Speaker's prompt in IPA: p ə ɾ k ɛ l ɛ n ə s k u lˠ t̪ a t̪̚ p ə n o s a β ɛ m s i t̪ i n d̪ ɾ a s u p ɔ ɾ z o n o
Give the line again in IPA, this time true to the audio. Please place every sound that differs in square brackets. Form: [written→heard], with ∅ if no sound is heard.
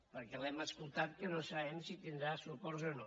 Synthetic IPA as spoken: p ə ɾ k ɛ l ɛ [n→m] ə s k u lˠ t̪ a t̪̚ [p→k] ə n o s a β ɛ m s i t̪ i n d̪ ɾ a s u p ɔ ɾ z o n o